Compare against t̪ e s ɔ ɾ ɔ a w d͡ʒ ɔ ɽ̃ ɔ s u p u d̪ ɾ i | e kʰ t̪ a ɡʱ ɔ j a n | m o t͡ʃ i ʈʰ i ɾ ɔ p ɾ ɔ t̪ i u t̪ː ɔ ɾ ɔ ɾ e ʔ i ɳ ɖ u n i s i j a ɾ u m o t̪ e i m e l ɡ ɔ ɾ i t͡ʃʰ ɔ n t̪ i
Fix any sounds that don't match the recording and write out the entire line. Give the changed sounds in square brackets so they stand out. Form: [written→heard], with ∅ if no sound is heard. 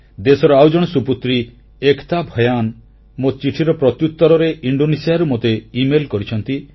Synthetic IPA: [t̪→d̪] e s ɔ ɾ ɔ a w d͡ʒ ɔ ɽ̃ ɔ s u p u [d̪→t̪] ɾ i | e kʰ t̪ a [ɡʱ→bʱ] ɔ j a n | m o t͡ʃ i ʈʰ i ɾ ɔ p ɾ ɔ t̪ [i→j] u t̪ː ɔ ɾ ɔ ɾ e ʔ i ɳ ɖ [u→o] n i s i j a ɾ u m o t̪ e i m e l [ɡ→k] ɔ ɾ i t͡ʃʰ ɔ n t̪ i